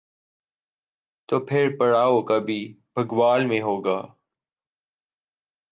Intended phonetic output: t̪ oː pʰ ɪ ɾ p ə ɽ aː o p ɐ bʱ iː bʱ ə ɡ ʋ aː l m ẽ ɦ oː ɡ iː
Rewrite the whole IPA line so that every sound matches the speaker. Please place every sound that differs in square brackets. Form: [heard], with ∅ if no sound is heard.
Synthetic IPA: t̪ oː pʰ ɪ ɾ p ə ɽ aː o [k] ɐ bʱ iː bʱ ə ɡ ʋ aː l m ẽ ɦ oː ɡ [aː]